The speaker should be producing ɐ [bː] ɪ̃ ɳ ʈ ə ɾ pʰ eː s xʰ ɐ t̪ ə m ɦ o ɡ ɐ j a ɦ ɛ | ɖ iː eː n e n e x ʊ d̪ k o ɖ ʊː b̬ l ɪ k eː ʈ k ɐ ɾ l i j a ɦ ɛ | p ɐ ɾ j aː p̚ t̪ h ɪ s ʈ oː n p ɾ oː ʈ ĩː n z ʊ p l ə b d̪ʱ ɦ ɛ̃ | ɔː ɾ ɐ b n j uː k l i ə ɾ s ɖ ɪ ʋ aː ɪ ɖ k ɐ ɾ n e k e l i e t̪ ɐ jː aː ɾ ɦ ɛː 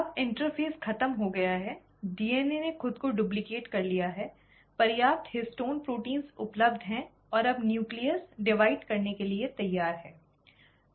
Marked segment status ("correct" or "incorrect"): incorrect